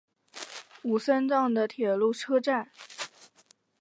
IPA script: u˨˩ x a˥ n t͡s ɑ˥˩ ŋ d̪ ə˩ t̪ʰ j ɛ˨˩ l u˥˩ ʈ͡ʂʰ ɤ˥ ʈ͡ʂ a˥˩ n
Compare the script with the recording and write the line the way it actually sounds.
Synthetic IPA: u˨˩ s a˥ n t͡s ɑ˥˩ ŋ d̪ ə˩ t̪ʰ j ɛ˨˩ l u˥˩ ʈ͡ʂʰ ɤ˥ ʈ͡ʂ a˥˩ n